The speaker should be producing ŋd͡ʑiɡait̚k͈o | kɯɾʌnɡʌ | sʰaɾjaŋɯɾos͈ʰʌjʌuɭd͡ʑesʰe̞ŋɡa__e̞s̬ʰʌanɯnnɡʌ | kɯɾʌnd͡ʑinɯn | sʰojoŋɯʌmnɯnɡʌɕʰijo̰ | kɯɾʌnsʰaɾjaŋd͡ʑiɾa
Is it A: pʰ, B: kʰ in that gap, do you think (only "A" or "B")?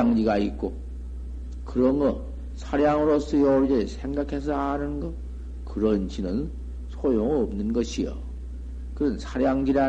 B